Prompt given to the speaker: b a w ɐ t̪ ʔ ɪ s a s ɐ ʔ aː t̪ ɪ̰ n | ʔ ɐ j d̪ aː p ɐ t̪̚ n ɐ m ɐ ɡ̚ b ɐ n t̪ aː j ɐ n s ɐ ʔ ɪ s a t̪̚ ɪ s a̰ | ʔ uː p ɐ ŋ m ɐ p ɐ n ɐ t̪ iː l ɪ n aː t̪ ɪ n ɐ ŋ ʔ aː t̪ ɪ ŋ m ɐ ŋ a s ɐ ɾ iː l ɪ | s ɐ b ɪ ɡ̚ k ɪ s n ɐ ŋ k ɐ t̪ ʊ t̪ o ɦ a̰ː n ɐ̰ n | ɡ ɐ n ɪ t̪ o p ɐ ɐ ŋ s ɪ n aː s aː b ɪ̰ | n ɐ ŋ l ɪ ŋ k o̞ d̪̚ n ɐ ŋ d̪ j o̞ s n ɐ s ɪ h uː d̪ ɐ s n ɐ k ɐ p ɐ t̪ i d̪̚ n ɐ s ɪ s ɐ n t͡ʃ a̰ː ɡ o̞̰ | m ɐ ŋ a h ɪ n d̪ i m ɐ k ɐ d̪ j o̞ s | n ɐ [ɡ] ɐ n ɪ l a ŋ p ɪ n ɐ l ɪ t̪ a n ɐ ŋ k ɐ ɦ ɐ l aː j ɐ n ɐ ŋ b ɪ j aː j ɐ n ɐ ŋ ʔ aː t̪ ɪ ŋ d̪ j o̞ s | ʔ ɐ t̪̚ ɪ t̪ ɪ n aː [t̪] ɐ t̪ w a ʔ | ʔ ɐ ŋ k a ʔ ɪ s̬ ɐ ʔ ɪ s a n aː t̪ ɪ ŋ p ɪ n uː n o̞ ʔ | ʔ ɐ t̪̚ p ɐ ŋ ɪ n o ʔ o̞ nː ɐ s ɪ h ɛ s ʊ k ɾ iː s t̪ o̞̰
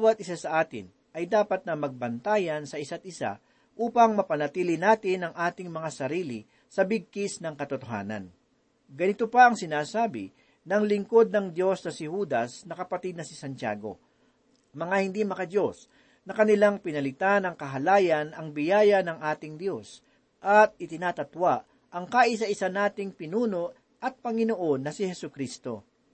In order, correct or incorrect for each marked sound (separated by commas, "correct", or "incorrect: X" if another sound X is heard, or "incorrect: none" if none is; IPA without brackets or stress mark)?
incorrect: k, correct